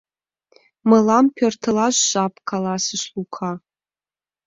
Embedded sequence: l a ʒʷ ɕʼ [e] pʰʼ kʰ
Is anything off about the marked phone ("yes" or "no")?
yes